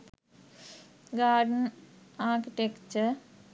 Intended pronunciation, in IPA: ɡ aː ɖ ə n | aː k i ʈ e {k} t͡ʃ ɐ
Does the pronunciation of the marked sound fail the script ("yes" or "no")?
no